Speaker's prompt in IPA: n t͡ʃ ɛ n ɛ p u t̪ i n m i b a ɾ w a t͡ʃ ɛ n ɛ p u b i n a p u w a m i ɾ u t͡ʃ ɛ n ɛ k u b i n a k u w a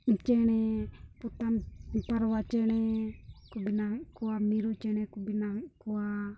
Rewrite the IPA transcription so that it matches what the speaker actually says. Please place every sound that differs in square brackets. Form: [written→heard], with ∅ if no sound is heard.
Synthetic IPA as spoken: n t͡ʃ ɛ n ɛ p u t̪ [i→a] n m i [b→p] a ɾ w a t͡ʃ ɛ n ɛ [p→k] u b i n a [p→k] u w a m i ɾ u t͡ʃ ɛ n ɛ k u b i n a k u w a